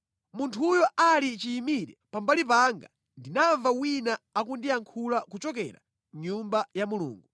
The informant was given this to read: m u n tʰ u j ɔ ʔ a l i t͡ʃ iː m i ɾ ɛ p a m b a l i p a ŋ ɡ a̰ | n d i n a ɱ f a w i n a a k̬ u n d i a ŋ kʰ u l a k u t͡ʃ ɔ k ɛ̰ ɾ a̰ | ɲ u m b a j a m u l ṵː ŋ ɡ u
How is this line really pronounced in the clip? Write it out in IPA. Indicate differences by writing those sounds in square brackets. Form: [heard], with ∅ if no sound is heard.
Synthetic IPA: m u n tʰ u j ɔ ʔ a l i t͡ʃ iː m i ɾ ɛ p a m b a l i p a ŋ ɡ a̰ | n d i n a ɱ [v] a w i n a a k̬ u n d i a ŋ kʰ u l a k u t͡ʃ ɔ k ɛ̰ ɾ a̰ | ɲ u m b a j a m u l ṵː ŋ ɡ u